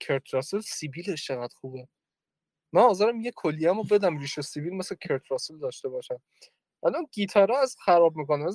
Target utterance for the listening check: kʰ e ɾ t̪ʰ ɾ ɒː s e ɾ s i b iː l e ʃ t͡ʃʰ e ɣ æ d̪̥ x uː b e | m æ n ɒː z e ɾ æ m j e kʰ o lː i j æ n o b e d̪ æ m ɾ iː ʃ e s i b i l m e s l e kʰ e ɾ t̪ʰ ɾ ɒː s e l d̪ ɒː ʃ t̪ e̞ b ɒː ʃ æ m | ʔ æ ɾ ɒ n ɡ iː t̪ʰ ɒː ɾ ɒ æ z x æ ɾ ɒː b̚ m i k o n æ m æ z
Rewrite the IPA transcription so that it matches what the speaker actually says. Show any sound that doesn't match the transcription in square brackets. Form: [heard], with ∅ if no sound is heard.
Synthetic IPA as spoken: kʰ e ɾ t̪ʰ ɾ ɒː s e [l] s i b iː l e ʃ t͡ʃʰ e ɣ æ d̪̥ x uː b e | m æ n ɒː z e ɾ æ m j e kʰ o lː i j æ [m] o b e d̪ æ m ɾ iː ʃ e s i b i l m e s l e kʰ e ɾ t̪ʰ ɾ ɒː s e l d̪ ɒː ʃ t̪ e̞ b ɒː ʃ æ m | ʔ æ [l] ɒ n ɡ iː t̪ʰ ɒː ɾ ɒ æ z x æ ɾ ɒː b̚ m i k o n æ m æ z